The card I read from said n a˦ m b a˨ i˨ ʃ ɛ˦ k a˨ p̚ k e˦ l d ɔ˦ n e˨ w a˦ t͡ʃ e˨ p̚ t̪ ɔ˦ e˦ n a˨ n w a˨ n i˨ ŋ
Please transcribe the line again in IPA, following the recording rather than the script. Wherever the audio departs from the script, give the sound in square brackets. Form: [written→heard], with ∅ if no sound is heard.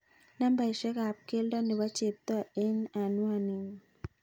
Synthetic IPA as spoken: n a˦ m b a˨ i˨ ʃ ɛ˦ k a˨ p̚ k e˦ l d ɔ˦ n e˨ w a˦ t͡ʃ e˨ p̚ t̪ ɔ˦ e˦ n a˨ n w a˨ n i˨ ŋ